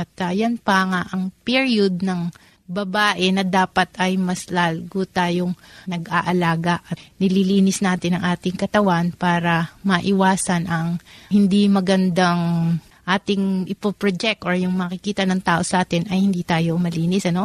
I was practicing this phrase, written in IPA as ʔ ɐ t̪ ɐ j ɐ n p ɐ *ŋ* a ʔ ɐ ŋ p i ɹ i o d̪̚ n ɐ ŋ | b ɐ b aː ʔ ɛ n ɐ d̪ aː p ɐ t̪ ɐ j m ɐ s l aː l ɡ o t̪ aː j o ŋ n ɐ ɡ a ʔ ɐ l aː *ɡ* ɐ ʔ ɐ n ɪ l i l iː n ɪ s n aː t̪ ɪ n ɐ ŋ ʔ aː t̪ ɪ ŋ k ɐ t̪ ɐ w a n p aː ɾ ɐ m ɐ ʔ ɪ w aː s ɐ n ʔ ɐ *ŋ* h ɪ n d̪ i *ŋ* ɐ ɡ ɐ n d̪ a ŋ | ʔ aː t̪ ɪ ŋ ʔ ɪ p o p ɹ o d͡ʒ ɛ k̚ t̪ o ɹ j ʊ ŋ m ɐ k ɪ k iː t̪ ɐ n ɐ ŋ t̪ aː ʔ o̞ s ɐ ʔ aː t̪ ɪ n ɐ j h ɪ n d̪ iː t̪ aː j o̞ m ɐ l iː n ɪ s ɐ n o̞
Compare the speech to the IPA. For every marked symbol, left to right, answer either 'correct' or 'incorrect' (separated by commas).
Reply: correct, correct, correct, incorrect